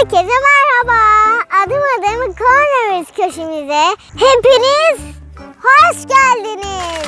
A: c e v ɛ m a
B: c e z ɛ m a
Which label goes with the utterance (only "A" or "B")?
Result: B